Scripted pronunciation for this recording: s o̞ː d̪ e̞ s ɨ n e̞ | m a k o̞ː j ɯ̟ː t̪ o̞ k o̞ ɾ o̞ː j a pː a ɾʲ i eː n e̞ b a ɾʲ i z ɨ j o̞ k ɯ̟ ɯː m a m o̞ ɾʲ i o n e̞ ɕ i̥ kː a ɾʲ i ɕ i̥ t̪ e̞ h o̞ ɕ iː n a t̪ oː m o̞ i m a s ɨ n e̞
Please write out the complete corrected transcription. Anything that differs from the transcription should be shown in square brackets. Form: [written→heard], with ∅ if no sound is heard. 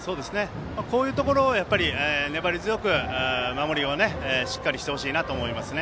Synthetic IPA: s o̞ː d̪ e̞ s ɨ n e̞ | m a k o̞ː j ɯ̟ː t̪ o̞ k o̞ ɾ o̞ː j a pː a ɾʲ i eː n e̞ b a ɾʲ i z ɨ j o̞ k ɯ̟ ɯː m a m o̞ ɾʲ i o n e̞ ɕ i̥ kː a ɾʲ i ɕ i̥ t̪ e̞ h o̞ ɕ iː n a t̪ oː m o̞ i m a s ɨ n e̞